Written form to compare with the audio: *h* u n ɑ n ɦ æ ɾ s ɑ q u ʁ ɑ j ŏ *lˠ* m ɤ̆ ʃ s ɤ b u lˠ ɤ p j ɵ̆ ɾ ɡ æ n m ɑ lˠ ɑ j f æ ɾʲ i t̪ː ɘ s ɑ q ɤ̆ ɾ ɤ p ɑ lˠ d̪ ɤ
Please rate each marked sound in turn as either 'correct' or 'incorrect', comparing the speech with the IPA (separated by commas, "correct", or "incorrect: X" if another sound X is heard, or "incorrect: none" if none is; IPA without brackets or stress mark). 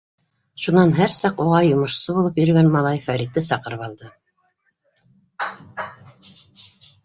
incorrect: ʃ, incorrect: none